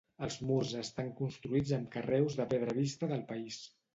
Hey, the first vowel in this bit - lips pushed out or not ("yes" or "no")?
no